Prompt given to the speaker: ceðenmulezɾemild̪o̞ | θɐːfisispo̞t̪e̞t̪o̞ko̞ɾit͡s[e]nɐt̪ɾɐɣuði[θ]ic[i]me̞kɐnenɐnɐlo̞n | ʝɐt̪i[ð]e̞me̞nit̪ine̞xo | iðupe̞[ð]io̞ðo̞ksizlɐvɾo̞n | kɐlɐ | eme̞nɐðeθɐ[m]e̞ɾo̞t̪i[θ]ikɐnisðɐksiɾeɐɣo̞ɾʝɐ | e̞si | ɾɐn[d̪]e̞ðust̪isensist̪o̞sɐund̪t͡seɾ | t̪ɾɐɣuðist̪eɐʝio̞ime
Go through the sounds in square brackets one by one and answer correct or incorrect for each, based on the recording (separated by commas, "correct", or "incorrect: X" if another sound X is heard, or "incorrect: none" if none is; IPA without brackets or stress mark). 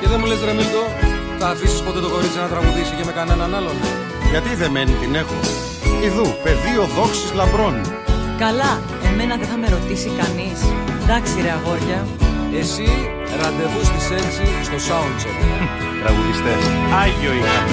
incorrect: i, incorrect: s, incorrect: e, correct, correct, correct, incorrect: s, correct